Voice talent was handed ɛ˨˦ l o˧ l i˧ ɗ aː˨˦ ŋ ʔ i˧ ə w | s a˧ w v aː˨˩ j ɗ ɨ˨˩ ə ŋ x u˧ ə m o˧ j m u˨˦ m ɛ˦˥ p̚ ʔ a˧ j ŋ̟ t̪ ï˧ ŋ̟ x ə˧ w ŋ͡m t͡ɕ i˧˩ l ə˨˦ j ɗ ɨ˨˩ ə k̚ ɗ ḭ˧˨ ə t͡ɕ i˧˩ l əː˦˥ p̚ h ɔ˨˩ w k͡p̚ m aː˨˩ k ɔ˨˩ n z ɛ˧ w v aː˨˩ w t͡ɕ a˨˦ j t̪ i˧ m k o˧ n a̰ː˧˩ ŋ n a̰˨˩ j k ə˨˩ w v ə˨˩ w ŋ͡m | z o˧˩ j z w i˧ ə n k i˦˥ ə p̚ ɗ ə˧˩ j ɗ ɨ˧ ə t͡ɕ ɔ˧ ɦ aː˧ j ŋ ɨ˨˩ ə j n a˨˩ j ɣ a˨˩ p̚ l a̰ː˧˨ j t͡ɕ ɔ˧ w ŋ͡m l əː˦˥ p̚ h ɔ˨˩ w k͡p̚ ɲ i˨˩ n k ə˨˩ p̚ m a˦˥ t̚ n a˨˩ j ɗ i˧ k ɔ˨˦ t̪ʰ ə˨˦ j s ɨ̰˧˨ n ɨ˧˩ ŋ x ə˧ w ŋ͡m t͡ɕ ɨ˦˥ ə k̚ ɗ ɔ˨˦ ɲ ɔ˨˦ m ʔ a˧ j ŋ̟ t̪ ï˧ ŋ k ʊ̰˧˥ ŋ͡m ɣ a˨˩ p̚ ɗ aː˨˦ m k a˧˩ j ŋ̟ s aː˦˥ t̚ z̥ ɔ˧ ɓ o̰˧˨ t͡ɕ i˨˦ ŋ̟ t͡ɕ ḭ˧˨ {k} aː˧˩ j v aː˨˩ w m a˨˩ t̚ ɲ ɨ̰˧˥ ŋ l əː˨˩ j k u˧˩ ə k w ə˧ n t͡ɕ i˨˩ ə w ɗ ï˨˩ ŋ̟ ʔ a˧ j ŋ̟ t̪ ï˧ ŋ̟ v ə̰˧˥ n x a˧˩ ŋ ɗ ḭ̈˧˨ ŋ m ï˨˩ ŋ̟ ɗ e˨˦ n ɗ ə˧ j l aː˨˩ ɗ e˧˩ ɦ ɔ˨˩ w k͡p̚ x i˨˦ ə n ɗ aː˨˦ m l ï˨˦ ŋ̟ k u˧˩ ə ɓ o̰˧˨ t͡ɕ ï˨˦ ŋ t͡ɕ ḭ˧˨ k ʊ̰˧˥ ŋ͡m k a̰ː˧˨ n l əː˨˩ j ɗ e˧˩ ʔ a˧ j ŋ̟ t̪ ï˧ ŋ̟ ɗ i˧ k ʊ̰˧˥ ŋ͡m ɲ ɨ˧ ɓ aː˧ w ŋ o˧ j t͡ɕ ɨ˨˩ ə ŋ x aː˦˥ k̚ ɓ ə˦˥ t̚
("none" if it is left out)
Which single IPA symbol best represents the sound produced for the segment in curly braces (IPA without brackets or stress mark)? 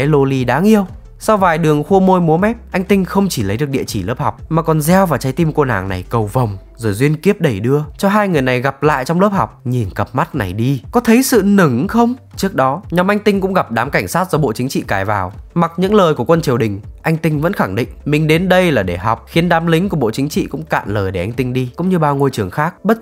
k